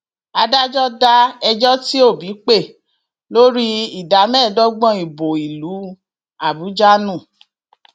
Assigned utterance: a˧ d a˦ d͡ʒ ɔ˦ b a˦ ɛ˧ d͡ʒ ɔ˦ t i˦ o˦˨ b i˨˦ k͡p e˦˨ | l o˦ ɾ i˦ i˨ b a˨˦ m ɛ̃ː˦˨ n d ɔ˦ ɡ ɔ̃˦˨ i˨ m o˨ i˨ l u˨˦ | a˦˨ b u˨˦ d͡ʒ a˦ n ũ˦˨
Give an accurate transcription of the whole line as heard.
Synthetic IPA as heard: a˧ d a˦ d͡ʒ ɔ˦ d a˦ ɛ˧ d͡ʒ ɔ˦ t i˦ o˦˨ b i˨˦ k͡p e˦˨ | l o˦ ɾ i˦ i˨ d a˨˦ m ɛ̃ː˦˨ d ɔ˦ ɡ͡b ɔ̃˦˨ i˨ b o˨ i˨ l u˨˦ | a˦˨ b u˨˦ d͡ʒ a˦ n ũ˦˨